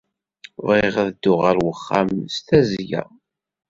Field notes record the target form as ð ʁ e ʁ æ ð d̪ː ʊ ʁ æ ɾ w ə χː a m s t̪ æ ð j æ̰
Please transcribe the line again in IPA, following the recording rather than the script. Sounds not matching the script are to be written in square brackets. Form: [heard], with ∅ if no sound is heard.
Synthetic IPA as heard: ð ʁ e ʁ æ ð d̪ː ʊ ʁ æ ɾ w ə χː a m s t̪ æ [z] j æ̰

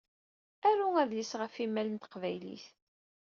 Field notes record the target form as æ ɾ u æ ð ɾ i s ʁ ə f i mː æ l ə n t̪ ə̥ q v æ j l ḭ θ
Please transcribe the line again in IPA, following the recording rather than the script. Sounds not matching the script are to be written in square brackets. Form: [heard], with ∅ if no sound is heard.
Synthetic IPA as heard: æ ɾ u æ ð [l] i s ʁ ə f i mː æ l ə n t̪ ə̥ q v æ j l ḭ θ

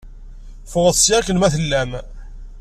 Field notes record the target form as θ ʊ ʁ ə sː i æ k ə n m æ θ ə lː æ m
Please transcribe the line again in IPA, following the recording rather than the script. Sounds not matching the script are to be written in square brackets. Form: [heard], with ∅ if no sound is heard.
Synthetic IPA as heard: [f] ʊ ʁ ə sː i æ k ə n m æ θ ə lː æ m

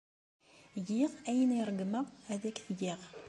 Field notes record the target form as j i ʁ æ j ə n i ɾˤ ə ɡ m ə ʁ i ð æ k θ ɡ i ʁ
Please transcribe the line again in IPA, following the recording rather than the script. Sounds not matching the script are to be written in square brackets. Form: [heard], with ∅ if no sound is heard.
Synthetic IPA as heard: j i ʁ æ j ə n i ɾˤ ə ɡ m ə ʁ [æ] ð æ k θ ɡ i ʁ

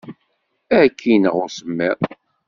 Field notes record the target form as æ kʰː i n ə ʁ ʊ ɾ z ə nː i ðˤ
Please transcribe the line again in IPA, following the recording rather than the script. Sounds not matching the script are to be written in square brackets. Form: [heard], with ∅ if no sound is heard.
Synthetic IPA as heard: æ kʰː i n ə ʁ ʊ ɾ [s] ə [mː] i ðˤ

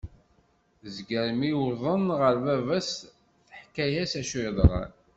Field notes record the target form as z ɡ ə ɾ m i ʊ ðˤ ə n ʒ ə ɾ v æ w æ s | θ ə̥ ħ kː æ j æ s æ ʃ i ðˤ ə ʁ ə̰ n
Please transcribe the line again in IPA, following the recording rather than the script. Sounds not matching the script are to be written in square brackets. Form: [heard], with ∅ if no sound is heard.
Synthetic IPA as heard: z ɡ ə ɾ m i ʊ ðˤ ə n [ʁ] ə ɾ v æ [v] æ s | θ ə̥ ħ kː æ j æ s æ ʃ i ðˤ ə ʁ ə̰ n

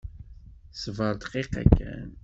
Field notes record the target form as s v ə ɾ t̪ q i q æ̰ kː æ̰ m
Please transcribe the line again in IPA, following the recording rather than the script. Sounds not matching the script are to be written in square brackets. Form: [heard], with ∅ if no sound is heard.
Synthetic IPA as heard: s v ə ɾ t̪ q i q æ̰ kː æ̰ [n]

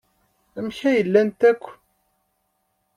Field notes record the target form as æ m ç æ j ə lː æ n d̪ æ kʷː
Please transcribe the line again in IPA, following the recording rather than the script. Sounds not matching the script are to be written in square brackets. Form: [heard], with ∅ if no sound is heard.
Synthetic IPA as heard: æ m ç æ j ə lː æ n [t̪] æ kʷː

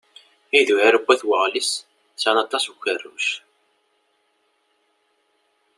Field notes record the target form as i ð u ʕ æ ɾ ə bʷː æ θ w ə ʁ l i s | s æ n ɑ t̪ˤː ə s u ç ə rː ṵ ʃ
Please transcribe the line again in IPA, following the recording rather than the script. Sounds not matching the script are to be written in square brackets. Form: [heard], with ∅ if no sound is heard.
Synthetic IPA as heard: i ð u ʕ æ ɾ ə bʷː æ θ w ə ʁ l i s | s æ n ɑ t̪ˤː [ɑ] s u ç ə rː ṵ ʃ

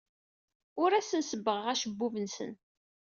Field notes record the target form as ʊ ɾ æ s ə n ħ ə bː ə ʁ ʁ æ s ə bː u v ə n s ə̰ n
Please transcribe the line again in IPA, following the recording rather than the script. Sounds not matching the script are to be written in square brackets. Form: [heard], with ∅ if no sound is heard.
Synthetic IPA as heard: ʊ ɾ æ s ə n [s] ə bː ə ʁ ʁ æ [ʃ] ə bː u v ə n s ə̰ n

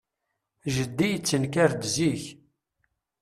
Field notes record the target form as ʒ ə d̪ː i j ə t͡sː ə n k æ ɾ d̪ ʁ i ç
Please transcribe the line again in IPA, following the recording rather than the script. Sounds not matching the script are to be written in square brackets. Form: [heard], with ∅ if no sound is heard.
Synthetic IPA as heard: ʒ ə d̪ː i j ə t͡sː ə n k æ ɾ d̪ [z] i ç

